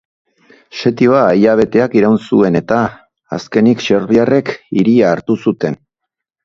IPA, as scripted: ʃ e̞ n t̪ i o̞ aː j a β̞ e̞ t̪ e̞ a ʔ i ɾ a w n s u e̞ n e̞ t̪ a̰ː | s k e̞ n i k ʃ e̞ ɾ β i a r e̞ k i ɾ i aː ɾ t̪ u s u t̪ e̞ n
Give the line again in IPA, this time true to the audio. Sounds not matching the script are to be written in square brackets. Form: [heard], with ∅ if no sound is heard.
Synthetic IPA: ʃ e̞ [∅] t̪ i o̞ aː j a β̞ e̞ t̪ e̞ a [k] i ɾ a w n s u e̞ n e̞ t̪ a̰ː | s k e̞ n i k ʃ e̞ ɾ β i a r e̞ k i ɾ i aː ɾ t̪ u s u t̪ e̞ n